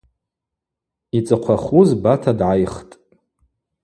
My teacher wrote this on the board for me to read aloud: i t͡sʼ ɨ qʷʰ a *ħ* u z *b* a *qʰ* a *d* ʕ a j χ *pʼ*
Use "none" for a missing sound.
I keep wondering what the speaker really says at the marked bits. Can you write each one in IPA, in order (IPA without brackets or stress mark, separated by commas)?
χ, b, tʰ, d, tʼ